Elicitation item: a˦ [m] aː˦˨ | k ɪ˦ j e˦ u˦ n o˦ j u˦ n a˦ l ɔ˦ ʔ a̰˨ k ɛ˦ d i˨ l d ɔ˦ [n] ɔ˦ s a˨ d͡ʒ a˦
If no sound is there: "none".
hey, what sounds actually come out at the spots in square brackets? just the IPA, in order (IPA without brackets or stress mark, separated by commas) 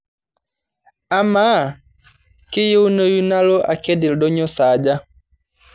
m, ɲ